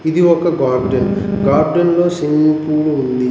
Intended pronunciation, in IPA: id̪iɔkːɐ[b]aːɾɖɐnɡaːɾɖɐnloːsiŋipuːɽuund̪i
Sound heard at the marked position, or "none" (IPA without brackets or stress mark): ɡ